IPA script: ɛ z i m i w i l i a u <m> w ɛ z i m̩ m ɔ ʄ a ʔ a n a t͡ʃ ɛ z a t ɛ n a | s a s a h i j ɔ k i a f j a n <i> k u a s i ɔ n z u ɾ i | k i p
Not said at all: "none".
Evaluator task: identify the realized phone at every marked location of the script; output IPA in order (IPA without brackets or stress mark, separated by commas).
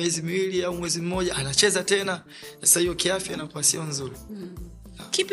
m, a